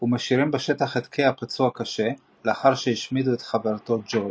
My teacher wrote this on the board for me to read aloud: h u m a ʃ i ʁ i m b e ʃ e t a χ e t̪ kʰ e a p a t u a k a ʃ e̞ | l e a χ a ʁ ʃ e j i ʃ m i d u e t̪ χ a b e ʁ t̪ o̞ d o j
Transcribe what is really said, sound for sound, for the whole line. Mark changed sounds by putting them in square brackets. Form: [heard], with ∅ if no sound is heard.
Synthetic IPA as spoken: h u m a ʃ i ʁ i m b e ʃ e t a χ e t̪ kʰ e a p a [t͡s] u a k a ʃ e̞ | l e a χ a ʁ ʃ e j i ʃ m i d u e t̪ χ a [v] e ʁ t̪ o̞ [d͡ʒ] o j